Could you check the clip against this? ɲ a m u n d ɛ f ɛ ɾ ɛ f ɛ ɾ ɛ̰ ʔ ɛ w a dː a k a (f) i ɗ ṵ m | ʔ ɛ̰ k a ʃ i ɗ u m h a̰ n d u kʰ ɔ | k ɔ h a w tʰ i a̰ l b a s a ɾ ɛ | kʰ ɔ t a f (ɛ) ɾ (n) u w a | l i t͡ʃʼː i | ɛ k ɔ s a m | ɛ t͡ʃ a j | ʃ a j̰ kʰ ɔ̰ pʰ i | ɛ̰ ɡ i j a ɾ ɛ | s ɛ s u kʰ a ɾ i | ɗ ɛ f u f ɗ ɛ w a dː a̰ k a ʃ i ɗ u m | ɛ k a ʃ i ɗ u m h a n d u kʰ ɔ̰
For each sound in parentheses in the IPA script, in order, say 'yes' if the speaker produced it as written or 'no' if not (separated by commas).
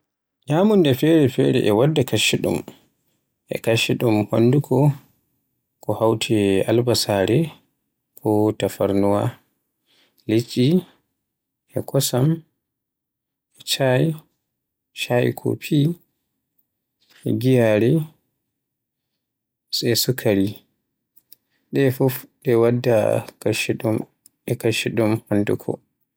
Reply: no, no, yes